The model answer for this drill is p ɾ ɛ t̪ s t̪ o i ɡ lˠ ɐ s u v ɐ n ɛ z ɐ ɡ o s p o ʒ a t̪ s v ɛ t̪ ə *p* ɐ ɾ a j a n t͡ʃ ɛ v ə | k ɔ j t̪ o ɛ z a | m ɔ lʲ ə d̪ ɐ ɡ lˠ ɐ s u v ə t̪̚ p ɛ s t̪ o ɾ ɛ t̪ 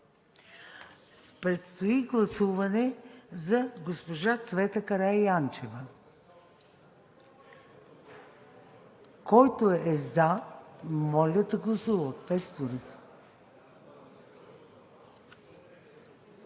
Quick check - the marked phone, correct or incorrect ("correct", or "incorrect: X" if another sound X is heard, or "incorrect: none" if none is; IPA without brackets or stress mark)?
incorrect: k